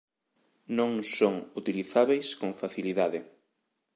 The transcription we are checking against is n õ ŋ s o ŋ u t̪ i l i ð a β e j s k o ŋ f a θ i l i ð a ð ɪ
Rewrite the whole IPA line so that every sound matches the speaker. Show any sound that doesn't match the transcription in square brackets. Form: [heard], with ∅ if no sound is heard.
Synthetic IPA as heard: n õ ŋ s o ŋ u t̪ i l i [θ] a β e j s k o ŋ f a θ i l i ð a ð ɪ